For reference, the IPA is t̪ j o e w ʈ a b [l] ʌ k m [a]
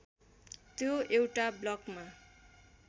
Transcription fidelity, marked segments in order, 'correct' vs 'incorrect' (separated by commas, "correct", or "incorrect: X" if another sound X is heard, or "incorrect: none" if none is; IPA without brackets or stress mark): correct, correct